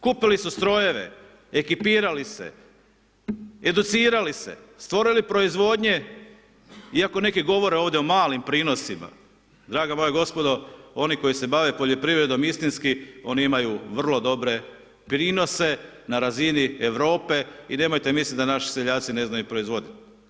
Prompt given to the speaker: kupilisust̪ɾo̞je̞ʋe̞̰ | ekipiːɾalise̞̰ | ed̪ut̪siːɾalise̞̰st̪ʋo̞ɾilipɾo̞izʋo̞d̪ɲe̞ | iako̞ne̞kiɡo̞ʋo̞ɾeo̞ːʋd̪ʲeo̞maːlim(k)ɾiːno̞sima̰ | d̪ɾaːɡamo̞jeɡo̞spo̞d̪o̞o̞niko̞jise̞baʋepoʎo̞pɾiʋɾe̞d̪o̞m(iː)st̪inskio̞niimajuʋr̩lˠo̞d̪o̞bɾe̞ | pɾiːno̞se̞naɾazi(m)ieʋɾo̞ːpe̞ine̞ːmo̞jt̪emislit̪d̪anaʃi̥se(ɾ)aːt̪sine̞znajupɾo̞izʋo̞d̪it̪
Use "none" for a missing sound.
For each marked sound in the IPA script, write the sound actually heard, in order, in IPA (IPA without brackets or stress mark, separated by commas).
p, i, n, ʎ